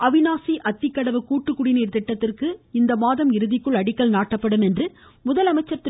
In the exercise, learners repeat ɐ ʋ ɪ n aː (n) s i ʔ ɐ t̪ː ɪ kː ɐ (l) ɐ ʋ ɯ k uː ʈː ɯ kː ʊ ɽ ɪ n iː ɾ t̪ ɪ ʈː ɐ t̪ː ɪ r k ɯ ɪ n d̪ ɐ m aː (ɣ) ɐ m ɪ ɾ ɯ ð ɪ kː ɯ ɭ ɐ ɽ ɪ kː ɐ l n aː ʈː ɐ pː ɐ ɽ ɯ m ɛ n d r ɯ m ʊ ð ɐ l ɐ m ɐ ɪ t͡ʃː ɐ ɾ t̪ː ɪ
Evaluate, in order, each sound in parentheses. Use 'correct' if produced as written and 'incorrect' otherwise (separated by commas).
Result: incorrect, incorrect, incorrect